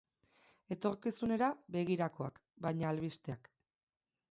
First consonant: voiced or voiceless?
voiceless